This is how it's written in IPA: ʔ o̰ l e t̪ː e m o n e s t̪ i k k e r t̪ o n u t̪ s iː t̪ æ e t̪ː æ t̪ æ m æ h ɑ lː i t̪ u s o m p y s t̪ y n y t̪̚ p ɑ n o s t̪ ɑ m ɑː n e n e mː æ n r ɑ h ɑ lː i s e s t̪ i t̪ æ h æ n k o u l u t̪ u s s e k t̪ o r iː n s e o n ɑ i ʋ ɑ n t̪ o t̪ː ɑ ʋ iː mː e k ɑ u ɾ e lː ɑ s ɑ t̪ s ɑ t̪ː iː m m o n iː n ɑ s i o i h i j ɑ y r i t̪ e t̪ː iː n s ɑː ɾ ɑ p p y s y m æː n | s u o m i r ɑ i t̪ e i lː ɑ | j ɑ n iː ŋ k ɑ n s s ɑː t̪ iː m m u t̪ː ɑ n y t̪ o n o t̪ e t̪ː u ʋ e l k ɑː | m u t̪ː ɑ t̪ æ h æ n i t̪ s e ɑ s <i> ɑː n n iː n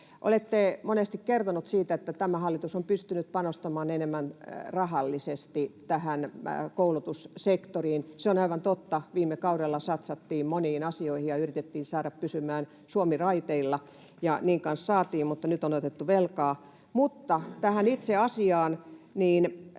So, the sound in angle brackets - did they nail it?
yes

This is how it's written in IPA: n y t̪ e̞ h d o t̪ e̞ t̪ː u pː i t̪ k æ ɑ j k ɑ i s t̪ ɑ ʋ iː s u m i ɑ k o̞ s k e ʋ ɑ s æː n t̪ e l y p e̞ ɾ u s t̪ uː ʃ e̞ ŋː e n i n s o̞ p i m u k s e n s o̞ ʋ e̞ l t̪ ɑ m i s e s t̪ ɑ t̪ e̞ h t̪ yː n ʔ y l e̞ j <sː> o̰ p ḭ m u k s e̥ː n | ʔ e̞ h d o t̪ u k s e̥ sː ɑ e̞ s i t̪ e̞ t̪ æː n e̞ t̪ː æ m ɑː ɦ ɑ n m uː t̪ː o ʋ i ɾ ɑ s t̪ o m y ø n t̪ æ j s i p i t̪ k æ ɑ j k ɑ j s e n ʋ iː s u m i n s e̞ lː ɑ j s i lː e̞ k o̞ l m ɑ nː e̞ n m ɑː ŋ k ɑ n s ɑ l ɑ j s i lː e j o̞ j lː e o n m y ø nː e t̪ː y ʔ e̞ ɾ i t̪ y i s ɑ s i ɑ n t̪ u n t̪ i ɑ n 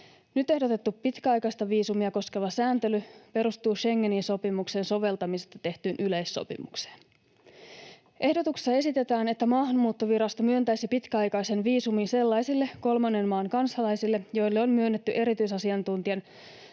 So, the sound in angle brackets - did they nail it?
yes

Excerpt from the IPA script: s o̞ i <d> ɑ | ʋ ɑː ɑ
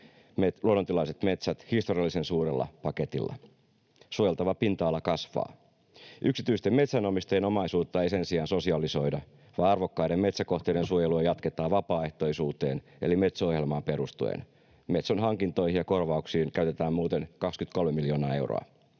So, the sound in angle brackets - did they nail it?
yes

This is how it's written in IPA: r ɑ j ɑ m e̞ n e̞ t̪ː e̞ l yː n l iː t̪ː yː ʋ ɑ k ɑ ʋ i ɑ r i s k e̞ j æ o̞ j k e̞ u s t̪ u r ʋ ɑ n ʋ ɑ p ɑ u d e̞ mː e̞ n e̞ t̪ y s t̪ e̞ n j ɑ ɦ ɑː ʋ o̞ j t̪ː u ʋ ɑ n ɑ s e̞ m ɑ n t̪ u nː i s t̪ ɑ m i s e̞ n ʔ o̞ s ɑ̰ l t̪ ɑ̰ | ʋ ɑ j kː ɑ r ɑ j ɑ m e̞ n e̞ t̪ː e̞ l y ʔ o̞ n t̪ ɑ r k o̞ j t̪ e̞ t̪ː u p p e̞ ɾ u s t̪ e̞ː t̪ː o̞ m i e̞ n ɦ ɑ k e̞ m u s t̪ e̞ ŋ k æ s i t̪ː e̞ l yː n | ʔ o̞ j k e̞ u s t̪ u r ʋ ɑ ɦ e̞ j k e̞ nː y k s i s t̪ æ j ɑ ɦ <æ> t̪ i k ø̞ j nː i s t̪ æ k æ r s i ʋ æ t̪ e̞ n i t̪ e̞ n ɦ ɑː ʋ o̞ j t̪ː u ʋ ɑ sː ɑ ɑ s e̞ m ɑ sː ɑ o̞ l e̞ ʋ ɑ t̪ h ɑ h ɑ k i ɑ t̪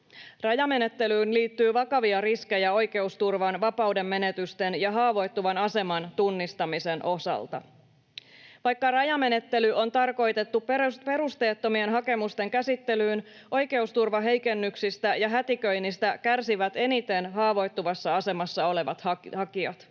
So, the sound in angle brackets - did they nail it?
yes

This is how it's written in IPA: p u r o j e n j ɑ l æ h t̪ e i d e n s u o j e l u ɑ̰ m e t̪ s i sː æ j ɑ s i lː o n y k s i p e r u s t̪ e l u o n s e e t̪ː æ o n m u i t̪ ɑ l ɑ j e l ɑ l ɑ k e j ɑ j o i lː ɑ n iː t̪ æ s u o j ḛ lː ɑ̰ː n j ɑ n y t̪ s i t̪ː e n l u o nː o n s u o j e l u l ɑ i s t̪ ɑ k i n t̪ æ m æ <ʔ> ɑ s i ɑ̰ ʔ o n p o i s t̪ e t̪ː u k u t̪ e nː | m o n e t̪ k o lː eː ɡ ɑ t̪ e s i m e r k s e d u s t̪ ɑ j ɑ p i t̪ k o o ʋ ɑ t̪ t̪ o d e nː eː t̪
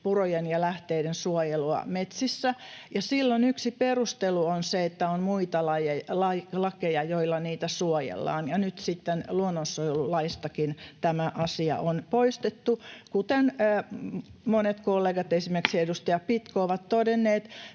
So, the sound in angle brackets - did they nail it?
yes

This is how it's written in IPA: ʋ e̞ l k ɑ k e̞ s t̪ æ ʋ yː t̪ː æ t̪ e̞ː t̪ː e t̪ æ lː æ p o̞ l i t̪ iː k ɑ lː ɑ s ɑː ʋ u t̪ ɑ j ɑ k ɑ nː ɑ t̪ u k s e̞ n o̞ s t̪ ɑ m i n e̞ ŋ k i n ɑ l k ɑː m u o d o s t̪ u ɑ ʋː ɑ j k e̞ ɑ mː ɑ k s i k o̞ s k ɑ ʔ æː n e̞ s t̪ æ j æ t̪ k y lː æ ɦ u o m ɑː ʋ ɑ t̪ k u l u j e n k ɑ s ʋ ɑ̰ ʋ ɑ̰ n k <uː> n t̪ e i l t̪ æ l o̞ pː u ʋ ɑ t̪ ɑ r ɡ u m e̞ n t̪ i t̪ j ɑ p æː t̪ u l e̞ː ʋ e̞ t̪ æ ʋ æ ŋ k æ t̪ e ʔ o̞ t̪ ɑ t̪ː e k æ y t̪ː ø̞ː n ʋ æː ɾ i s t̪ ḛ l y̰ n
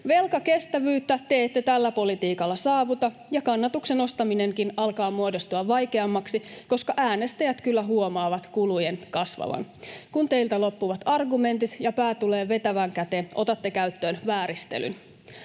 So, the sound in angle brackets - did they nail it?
no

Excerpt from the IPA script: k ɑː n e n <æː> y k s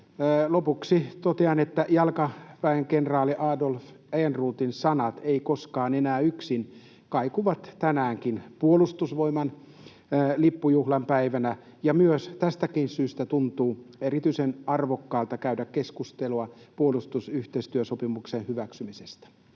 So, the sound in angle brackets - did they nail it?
yes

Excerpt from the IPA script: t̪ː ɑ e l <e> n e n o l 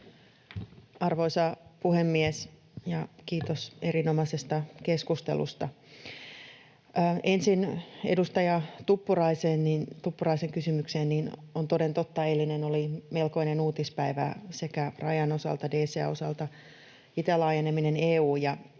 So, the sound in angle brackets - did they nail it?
no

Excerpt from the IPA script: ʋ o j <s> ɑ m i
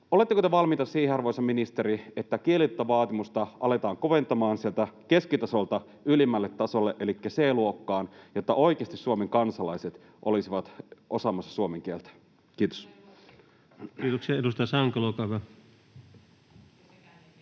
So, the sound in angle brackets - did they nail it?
yes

